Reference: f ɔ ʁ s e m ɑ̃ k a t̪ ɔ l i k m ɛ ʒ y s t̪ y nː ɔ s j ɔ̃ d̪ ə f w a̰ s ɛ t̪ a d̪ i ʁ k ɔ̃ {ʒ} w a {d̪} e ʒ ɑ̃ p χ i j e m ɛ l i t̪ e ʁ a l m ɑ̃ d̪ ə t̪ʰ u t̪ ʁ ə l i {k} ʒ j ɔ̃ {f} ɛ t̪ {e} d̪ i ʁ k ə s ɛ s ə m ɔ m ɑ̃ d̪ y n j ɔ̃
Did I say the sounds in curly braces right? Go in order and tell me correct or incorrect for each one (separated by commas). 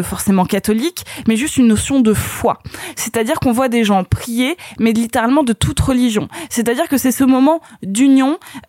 incorrect, correct, incorrect, incorrect, incorrect